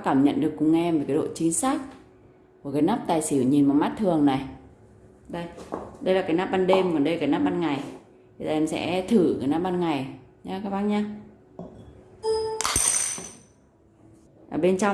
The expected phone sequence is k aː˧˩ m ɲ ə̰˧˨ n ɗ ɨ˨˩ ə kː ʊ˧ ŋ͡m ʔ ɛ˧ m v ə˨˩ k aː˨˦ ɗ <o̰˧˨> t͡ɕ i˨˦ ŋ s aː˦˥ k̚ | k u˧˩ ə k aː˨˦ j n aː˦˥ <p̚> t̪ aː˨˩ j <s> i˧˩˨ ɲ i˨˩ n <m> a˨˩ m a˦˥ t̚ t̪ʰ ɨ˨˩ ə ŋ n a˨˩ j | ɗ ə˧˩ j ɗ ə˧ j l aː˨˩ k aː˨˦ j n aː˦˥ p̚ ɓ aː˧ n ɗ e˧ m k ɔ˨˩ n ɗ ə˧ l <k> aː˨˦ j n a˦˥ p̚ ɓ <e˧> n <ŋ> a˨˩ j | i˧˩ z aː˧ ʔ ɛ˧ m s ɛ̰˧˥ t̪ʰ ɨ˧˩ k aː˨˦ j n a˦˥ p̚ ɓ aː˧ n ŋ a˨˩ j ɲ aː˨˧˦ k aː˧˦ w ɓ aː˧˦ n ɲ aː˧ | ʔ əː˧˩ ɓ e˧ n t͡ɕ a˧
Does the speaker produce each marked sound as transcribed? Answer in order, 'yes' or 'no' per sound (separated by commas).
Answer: yes, yes, yes, yes, yes, no, yes